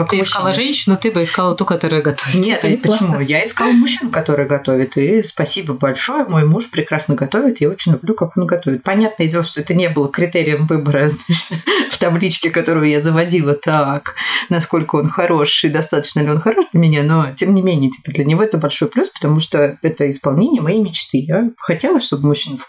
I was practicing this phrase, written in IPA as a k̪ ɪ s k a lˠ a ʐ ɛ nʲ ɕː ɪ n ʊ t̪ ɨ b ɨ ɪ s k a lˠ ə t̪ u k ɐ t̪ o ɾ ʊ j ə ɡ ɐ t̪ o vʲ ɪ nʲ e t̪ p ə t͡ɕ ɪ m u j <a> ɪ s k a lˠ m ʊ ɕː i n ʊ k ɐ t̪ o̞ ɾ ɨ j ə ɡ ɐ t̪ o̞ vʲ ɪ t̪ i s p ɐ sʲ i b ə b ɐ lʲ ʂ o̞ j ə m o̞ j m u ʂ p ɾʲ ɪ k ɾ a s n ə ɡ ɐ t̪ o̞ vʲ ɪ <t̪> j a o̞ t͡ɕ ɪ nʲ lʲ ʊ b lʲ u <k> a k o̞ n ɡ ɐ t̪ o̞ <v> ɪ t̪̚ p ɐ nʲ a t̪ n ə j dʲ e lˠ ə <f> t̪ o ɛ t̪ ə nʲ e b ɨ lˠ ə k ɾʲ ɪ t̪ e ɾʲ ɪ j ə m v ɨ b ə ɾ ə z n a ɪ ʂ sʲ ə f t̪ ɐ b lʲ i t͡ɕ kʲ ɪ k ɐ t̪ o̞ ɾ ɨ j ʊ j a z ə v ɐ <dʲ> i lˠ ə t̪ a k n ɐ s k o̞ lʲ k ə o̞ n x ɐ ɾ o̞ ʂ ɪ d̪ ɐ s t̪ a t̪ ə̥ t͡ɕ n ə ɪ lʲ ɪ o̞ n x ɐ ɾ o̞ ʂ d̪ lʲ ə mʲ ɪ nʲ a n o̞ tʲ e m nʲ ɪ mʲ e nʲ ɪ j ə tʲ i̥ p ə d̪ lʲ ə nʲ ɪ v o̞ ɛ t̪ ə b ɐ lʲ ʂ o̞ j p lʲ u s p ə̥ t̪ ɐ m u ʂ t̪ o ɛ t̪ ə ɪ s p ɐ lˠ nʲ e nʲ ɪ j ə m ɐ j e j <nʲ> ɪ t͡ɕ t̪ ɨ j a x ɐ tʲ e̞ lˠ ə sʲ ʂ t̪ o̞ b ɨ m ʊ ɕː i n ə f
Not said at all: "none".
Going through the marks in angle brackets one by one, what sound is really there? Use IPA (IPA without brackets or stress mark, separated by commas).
a, t̪, k, v, ʂ, dʲ, mʲ